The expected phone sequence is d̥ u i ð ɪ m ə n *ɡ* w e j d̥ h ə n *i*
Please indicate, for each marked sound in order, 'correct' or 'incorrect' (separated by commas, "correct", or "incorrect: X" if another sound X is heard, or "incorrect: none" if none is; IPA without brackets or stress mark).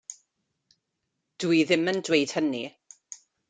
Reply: incorrect: d, correct